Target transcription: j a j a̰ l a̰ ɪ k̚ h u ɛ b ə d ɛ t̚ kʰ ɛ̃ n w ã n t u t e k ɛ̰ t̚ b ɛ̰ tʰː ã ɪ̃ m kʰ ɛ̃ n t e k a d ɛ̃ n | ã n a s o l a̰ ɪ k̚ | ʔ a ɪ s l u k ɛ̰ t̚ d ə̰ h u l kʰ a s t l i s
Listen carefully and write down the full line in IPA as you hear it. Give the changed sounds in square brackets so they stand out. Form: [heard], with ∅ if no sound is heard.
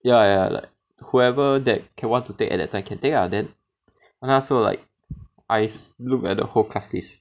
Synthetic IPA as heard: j a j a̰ l a̰ ɪ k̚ h u ɛ [v] ə d ɛ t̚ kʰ ɛ̃ n w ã n t u t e k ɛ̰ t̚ [d] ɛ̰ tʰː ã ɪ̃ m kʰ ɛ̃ n t e k a d ɛ̃ n | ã n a s o l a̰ ɪ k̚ | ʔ a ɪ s l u k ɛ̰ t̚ d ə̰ h [o] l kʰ a s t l i s